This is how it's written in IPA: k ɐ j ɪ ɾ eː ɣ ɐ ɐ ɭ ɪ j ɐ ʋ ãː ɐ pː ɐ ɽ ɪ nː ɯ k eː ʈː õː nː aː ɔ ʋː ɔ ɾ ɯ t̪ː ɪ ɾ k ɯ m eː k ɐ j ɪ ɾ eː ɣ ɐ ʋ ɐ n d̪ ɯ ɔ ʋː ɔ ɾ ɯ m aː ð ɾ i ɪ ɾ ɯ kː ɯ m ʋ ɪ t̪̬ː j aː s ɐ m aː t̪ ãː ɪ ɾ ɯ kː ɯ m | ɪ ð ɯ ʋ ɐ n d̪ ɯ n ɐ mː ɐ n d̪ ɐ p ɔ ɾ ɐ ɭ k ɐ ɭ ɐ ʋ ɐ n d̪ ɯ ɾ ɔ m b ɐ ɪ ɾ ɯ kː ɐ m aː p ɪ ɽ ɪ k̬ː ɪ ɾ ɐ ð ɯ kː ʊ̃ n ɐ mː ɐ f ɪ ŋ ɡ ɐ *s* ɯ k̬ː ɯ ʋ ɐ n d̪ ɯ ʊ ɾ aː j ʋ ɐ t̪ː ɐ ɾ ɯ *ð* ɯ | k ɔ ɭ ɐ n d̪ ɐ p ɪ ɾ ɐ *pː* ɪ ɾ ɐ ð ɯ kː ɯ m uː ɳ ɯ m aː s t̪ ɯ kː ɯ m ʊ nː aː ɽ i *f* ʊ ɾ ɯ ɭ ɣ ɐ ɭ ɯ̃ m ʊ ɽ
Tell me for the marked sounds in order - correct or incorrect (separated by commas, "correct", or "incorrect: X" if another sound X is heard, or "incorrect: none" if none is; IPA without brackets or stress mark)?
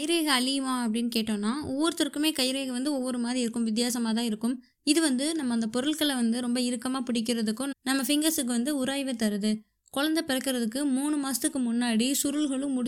correct, correct, incorrect: kː, incorrect: s